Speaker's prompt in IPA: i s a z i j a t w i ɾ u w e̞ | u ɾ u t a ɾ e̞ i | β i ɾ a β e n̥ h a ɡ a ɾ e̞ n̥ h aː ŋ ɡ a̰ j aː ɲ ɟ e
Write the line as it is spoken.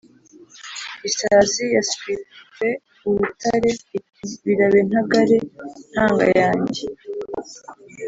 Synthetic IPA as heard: i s a z i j a s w i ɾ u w e̞ | u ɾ u t a ɾ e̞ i | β i ɾ a β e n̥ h a ɡ a ɾ e̞ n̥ h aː ŋ ɡ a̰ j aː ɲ ɟ e